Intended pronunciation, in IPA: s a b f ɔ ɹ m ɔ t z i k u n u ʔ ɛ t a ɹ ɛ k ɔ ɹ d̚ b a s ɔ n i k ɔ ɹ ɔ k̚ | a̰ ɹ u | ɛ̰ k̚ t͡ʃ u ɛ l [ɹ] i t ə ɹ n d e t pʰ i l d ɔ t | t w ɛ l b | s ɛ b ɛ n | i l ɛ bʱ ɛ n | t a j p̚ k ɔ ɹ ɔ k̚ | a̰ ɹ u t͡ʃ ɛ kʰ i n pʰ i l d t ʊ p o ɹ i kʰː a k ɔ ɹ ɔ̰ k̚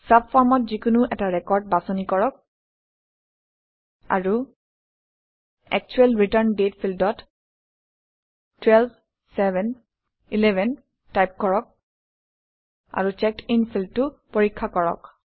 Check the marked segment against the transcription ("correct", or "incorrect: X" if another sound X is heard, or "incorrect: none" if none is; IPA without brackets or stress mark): correct